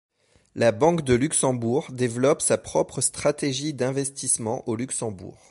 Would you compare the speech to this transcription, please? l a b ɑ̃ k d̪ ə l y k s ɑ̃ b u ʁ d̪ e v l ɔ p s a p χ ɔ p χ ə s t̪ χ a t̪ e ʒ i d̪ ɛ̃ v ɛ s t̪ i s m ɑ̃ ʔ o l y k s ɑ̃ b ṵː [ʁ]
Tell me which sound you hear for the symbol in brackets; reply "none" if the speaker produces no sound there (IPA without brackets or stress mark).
ʁ